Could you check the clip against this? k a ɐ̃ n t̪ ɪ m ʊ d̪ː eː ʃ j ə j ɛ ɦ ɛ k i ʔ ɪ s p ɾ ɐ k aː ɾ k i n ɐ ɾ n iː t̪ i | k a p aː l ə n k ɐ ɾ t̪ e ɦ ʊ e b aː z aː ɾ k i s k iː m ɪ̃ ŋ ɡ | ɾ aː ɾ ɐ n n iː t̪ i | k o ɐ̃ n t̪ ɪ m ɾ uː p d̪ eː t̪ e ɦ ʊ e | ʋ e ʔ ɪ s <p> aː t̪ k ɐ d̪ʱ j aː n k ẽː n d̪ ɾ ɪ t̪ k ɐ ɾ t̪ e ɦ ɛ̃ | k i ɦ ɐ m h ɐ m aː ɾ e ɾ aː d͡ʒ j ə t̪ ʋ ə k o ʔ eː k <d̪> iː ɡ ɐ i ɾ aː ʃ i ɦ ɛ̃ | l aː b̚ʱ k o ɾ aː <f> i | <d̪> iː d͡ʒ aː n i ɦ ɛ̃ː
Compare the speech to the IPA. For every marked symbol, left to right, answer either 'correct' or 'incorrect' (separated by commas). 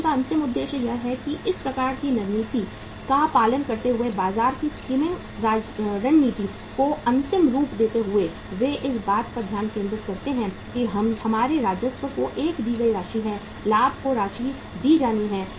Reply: incorrect, correct, incorrect, correct